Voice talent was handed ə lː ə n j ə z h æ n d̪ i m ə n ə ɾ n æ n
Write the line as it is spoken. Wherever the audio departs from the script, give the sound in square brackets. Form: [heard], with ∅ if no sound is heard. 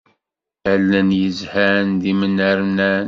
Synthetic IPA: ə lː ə n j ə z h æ n d̪ i m ə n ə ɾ n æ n